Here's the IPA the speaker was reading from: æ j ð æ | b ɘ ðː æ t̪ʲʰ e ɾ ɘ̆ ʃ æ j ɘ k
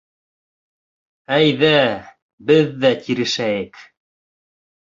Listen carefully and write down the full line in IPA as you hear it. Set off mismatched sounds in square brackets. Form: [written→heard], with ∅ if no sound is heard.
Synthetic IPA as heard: æ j ð æ | b ɘ ðː æ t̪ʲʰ [e→i] ɾ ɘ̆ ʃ æ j ɘ k